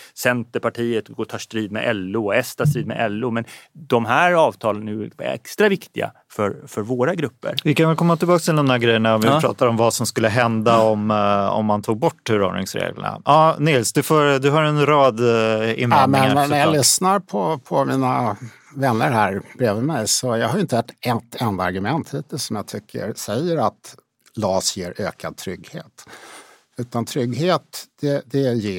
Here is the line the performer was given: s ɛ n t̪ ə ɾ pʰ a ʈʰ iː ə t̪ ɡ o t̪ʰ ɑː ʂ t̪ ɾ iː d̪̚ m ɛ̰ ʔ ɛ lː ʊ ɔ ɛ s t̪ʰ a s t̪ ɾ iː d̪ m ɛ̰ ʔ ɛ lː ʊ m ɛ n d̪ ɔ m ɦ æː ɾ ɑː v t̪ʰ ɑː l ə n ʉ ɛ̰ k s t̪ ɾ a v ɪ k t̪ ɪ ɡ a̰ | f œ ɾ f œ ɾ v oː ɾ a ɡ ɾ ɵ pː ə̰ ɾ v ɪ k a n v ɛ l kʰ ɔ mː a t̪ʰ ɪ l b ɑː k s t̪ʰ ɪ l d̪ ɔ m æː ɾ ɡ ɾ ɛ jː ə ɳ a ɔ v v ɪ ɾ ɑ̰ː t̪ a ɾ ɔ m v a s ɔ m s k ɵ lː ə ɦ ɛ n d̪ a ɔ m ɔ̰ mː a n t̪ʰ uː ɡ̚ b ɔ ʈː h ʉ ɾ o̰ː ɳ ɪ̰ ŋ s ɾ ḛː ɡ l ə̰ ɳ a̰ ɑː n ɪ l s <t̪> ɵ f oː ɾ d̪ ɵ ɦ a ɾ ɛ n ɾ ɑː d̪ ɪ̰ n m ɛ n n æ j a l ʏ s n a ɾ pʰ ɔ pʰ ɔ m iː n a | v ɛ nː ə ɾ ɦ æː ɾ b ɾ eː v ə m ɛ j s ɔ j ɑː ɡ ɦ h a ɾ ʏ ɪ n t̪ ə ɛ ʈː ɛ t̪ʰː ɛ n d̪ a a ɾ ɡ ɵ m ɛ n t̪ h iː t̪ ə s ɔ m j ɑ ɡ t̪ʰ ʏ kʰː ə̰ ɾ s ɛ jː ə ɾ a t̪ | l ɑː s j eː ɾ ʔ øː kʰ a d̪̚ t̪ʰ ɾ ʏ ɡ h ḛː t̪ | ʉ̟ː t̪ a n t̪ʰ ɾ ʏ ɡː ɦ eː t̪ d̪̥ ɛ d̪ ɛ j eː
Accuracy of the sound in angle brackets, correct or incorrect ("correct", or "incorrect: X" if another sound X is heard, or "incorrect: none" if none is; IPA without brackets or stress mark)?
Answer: incorrect: d̪